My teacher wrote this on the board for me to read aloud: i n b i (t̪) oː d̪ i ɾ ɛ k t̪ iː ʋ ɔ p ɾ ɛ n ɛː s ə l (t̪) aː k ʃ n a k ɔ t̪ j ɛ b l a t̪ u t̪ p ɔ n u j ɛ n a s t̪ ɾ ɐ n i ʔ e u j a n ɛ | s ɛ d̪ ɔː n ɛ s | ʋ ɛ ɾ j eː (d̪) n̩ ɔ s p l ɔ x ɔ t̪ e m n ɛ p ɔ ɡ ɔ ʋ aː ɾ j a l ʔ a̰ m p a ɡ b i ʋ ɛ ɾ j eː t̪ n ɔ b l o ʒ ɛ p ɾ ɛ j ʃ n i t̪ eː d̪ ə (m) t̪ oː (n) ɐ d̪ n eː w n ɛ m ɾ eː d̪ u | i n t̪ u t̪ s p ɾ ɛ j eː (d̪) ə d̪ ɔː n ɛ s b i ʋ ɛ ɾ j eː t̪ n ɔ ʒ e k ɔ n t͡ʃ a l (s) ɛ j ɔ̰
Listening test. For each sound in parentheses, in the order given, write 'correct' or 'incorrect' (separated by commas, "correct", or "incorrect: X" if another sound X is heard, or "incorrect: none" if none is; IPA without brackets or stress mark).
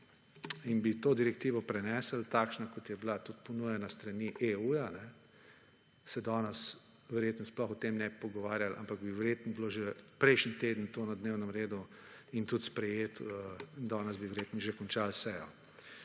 correct, correct, incorrect: t̪, incorrect: n, correct, incorrect: t̪, correct